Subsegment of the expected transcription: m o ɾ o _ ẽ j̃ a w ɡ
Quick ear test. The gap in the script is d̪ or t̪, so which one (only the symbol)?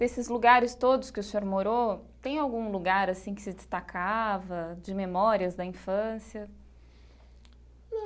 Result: t̪